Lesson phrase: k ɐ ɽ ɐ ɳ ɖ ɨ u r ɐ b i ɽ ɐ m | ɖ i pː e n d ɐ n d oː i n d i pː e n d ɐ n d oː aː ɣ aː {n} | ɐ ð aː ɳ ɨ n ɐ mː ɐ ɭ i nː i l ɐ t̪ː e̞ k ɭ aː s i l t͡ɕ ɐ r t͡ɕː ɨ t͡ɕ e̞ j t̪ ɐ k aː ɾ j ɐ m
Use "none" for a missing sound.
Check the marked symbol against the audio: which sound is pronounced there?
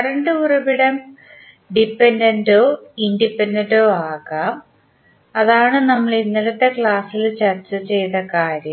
m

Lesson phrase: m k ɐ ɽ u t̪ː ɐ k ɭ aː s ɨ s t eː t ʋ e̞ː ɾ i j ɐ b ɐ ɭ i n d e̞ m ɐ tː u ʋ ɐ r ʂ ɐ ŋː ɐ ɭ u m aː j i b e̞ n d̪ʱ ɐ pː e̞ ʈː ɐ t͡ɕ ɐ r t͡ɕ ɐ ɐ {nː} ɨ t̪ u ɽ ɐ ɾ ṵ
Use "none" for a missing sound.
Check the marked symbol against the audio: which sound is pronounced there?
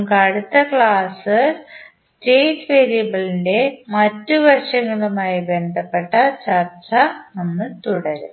nː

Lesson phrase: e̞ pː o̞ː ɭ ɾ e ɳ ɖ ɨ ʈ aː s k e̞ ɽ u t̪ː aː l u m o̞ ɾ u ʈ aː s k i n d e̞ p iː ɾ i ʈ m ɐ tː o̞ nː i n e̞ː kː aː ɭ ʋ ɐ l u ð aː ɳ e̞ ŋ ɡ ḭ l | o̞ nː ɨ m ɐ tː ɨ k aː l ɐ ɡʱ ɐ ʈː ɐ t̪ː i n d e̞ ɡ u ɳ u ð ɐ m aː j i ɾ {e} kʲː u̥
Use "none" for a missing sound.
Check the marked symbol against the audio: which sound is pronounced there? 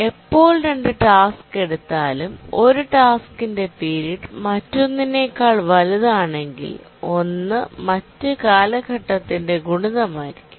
i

